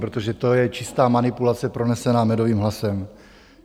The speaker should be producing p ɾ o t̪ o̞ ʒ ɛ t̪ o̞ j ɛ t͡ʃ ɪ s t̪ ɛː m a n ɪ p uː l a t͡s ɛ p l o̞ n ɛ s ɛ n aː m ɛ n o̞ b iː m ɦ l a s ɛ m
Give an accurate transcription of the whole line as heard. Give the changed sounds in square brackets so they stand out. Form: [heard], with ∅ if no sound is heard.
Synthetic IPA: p ɾ o t̪ o̞ ʒ ɛ t̪ o̞ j ɛ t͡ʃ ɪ s t̪ [aː] m a n ɪ p [u] l a t͡s ɛ p [ɾ] o̞ n ɛ s ɛ n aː m ɛ [d] o̞ [v] iː m ɦ l a s ɛ m